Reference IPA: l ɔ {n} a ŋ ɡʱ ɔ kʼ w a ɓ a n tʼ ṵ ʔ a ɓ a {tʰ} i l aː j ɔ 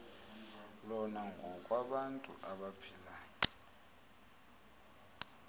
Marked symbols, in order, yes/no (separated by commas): yes, no